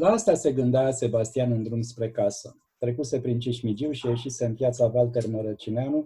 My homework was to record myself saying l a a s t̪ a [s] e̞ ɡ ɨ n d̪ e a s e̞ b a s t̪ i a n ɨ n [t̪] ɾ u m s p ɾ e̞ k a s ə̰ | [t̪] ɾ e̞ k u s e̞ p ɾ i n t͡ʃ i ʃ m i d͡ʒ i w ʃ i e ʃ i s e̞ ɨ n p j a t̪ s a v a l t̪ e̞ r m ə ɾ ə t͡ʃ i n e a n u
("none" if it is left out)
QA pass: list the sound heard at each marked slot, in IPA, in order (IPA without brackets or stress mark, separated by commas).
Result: s, d̪, t̪